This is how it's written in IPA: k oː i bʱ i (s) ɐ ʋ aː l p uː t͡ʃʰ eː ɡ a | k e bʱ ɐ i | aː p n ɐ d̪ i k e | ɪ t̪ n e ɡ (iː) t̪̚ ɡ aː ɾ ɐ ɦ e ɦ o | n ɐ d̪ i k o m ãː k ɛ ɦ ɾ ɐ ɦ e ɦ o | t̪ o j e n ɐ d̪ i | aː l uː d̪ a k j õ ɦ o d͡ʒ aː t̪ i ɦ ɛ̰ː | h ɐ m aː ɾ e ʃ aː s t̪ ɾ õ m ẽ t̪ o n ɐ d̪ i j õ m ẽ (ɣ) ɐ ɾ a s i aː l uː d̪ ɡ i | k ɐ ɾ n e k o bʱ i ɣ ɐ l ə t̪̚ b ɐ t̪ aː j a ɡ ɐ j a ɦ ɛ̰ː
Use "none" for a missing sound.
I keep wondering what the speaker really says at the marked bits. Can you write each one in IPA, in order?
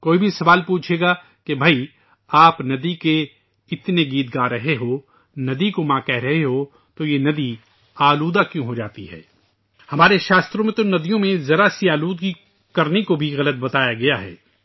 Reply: s, iː, z

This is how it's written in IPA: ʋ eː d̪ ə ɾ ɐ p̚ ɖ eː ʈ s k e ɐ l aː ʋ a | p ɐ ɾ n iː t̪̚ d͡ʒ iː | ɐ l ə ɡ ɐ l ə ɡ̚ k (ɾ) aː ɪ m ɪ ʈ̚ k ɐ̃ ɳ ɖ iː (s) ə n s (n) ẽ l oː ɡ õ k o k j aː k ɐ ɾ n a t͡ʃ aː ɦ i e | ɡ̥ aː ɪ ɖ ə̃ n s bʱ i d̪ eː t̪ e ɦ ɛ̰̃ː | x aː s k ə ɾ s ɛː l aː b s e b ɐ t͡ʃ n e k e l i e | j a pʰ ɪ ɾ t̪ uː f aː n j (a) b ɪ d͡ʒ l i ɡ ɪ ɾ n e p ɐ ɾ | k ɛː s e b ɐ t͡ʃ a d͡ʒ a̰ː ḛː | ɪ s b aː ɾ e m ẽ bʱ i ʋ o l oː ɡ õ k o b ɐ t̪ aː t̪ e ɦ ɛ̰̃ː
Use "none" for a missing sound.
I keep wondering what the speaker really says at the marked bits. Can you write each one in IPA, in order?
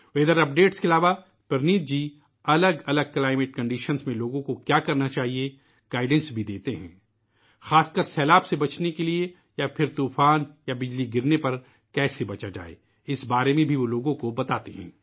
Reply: l, ʃ, m, a

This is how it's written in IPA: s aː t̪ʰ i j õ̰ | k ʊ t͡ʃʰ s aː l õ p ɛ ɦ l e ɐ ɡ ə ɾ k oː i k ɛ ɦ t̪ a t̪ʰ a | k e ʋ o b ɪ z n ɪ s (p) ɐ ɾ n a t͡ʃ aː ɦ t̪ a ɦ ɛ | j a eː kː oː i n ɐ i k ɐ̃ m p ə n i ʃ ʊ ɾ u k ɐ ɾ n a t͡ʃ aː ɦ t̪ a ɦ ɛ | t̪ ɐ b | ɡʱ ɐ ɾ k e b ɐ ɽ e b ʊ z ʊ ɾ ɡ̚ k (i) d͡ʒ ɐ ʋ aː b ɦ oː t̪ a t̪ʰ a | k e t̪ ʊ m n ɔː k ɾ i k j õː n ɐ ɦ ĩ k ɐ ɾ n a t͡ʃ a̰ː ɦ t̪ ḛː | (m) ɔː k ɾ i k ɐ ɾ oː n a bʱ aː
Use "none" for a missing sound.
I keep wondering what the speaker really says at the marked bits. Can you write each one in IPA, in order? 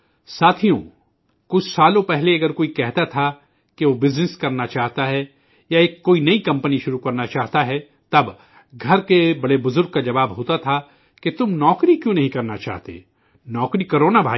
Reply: k, a, n

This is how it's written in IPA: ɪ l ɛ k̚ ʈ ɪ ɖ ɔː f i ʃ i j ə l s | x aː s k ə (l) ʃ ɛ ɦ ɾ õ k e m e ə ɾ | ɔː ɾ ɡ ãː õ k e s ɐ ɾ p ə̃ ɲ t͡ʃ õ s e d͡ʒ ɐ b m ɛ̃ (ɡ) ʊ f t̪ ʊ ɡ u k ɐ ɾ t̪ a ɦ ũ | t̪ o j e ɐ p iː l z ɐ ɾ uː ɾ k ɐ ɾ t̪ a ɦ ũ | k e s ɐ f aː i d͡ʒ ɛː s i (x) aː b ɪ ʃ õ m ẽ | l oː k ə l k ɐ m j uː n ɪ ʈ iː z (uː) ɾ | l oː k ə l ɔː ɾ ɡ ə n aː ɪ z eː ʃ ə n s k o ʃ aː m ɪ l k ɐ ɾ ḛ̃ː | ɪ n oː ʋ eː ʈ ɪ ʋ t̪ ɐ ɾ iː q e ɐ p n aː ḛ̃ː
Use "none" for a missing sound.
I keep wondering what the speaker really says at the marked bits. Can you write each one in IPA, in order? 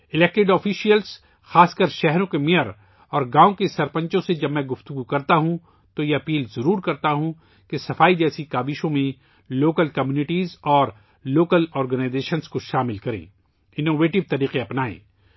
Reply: ɾ, ɡ, k, ɔː

